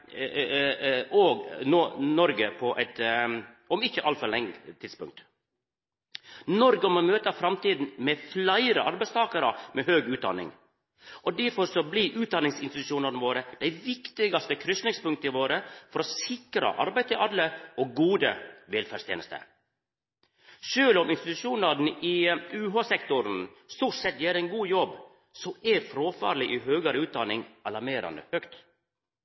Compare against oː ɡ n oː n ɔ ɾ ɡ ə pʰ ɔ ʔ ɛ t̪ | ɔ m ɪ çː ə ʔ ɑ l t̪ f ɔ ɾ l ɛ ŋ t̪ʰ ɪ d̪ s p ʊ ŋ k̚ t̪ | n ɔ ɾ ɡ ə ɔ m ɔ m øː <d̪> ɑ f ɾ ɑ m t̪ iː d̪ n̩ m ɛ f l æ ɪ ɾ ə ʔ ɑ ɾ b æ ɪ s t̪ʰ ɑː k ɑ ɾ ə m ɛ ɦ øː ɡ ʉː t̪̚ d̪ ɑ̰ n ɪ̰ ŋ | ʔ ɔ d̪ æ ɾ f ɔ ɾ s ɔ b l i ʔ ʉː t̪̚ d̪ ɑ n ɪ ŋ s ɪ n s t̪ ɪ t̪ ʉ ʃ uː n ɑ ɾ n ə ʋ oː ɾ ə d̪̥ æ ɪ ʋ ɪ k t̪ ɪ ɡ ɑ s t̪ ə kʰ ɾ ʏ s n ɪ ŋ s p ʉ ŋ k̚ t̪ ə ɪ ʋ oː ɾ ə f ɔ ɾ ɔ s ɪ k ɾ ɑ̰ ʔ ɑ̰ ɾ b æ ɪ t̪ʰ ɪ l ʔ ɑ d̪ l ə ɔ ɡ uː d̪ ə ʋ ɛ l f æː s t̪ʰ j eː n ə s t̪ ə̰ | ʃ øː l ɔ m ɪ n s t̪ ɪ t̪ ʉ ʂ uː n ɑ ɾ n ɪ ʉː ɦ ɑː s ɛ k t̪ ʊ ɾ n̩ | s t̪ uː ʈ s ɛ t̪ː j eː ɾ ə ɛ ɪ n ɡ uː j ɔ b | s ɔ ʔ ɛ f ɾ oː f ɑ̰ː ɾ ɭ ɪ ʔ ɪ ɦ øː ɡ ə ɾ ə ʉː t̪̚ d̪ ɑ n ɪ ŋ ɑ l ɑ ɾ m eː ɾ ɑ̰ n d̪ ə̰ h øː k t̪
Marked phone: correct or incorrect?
incorrect